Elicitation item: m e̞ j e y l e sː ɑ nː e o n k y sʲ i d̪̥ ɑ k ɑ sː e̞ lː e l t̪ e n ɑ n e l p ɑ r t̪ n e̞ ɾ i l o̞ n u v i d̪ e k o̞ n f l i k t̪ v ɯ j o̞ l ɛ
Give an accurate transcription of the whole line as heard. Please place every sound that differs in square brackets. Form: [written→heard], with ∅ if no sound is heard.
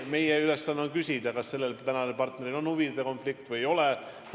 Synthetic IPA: m e̞ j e y l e sː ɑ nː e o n k y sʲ i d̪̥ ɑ k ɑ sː e̞ lː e l t̪ [e→æ] n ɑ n e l p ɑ r t̪ n e̞ ɾ i l o̞ n u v i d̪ e k o̞ n f l i k t̪ v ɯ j o̞ l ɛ